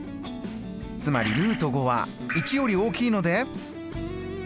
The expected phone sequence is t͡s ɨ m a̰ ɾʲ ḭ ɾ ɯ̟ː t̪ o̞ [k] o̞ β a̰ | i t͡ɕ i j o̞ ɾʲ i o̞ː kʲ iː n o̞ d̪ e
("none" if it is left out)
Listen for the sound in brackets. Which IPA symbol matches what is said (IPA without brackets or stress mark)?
ɡ